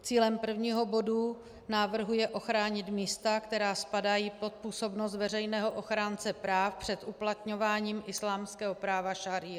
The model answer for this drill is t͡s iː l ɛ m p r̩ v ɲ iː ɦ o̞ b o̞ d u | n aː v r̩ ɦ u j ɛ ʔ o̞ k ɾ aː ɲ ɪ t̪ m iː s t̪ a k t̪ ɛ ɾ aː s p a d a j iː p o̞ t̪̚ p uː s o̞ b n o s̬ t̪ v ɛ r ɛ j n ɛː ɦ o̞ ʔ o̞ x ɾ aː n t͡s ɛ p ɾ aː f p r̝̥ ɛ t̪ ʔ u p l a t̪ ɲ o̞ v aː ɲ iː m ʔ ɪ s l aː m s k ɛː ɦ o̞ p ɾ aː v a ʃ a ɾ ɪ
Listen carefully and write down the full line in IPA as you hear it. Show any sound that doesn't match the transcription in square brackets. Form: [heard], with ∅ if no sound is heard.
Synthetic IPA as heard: t͡s iː l ɛ m p r̩ v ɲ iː ɦ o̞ b o̞ d u | n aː v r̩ ɦ u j ɛ ʔ o̞ [x] ɾ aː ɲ ɪ t̪ m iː s t̪ a k t̪ ɛ ɾ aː s p a d a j iː p o̞ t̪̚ p uː s o̞ b n o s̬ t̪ v ɛ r ɛ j n ɛː ɦ o̞ ʔ o̞ x ɾ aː n t͡s ɛ p ɾ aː f p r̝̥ ɛ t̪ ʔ u p l a t̪ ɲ o̞ v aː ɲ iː m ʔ ɪ s l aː m s k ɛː ɦ o̞ p ɾ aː v a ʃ a ɾ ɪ